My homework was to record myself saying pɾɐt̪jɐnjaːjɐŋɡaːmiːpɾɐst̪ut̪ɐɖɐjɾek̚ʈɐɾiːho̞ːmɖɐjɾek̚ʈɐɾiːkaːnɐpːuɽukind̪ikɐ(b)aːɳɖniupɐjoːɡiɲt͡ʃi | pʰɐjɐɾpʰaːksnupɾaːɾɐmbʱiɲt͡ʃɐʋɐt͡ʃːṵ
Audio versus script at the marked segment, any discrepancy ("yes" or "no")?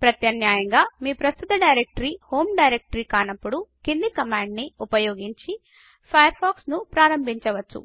yes